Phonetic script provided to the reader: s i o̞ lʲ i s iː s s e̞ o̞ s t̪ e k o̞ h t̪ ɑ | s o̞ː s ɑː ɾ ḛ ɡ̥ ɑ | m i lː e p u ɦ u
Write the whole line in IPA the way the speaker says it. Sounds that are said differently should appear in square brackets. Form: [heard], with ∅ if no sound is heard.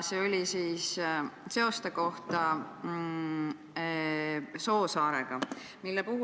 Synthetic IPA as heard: s i o̞ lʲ i s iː s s e̞ o̞ s t̪ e k o̞ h t̪ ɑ | s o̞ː s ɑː ɾ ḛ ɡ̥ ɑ | m i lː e p u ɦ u